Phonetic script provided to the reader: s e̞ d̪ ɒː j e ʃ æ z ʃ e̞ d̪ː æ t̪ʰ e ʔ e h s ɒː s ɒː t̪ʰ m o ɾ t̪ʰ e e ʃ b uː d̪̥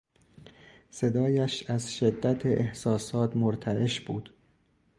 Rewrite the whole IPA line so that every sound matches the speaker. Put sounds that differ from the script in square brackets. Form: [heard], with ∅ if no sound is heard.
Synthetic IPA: s e̞ d̪ ɒː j [æ] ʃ æ z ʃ e̞ d̪ː æ t̪ʰ e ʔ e h s ɒː s ɒː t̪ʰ m o ɾ t̪ʰ [æ] e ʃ b uː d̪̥